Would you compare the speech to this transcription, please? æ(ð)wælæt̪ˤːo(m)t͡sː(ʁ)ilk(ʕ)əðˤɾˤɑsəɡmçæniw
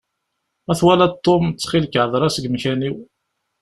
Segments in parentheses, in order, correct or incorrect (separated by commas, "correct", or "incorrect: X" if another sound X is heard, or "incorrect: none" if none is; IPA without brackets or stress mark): incorrect: θ, correct, incorrect: χ, correct